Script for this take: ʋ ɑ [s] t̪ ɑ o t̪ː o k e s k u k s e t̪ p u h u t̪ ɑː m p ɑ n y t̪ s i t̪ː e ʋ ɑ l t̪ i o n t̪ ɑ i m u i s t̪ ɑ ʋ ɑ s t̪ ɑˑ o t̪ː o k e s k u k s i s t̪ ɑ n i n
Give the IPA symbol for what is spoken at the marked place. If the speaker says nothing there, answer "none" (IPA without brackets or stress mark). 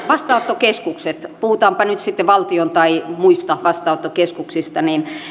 s